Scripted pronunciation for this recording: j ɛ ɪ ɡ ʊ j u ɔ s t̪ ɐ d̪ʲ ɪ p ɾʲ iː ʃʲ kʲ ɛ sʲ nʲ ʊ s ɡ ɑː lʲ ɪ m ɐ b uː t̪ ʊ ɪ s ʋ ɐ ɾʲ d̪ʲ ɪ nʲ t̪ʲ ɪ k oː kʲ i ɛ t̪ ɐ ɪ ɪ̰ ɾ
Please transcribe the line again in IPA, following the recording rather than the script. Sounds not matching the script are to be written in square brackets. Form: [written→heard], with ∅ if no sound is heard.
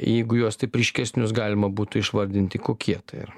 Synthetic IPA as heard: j ɛ ɪ ɡ ʊ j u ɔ s t̪ ɐ [d̪ʲ→∅] ɪ p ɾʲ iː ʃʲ kʲ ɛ sʲ nʲ ʊ s ɡ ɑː lʲ ɪ m ɐ b uː t̪ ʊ ɪ [s→ʃ] ʋ ɐ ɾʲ d̪ʲ ɪ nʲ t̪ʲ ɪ k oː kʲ i ɛ t̪ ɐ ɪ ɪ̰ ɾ